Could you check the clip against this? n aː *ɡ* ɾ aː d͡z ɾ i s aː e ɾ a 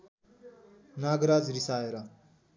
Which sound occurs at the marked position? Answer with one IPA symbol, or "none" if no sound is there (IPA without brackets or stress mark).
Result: ɡ